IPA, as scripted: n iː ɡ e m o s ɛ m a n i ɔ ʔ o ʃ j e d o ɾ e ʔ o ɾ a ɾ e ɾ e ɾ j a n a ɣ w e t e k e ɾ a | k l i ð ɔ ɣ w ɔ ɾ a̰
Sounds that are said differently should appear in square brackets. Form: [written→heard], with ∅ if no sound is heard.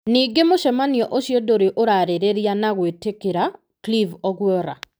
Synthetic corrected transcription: n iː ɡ e m o [s→ʃ] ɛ m a n i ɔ ʔ o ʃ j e d o ɾ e ʔ o ɾ a ɾ e ɾ e ɾ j a n a ɣ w e t e k e ɾ a | k l i [ð→v] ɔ ɣ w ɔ ɾ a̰